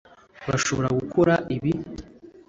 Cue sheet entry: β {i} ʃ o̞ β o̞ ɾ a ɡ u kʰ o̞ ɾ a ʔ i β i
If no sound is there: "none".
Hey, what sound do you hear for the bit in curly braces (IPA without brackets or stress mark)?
a